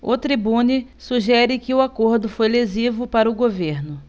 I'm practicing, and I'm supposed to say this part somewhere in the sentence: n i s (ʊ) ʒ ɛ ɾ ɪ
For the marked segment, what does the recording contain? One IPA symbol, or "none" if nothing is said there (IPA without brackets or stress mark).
u